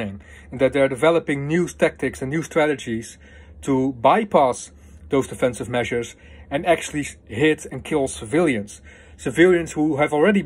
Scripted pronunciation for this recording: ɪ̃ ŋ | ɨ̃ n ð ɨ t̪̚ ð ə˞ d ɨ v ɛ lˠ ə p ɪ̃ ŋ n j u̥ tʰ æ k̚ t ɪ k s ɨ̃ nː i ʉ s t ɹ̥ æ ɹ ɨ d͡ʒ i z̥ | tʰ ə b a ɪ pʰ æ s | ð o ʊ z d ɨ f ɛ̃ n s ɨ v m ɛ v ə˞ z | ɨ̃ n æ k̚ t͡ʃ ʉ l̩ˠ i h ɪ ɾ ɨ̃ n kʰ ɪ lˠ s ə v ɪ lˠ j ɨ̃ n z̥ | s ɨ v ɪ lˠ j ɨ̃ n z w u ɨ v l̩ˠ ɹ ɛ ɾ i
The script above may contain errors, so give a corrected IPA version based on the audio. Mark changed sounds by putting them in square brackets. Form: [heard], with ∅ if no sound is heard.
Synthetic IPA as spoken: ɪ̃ ŋ | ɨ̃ n ð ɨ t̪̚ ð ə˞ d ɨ v ɛ lˠ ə p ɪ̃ ŋ n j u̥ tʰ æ k̚ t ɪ k s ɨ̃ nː [j] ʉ s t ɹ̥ æ [ɾ] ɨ d͡ʒ i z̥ | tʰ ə b a ɪ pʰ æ s | ð o ʊ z d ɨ f ɛ̃ n s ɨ v m ɛ [ʒ] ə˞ z | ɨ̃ n æ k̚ t͡ʃ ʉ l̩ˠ i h ɪ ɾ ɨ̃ n kʰ ɪ lˠ s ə v ɪ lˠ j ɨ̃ n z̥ | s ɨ v ɪ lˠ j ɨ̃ n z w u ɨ v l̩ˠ ɹ ɛ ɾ i